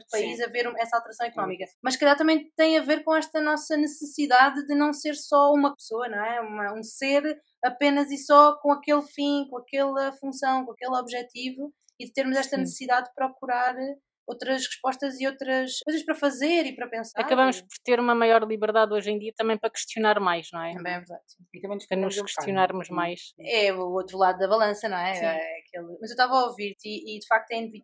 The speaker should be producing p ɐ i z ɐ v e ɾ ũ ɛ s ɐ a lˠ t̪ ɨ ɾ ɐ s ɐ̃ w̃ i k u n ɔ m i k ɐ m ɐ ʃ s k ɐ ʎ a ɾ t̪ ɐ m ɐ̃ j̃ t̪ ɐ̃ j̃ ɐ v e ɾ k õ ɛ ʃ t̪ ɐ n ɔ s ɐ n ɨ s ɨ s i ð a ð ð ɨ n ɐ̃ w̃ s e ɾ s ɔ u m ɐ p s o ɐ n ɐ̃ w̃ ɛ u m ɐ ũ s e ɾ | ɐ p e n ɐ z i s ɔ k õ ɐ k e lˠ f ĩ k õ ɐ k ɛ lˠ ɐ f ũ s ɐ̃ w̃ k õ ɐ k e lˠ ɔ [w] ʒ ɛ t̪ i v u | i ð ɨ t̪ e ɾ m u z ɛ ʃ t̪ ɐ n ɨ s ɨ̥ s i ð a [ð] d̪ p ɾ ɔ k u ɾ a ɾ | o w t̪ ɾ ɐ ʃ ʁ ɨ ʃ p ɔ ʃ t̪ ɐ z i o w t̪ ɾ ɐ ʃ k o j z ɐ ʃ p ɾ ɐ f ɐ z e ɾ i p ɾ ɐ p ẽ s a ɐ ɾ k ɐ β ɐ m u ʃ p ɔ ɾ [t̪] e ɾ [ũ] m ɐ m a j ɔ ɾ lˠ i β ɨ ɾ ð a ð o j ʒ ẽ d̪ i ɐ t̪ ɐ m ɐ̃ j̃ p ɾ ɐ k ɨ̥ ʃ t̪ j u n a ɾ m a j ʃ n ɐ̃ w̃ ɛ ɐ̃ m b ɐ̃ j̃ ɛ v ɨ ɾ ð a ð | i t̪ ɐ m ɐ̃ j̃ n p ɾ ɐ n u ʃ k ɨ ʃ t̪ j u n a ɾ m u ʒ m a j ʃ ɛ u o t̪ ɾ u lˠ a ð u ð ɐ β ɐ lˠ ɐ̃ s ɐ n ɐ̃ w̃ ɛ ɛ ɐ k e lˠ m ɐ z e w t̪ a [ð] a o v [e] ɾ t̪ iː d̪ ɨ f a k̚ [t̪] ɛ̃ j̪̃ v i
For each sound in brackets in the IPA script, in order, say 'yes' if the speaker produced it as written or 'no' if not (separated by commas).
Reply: no, yes, yes, no, no, no, yes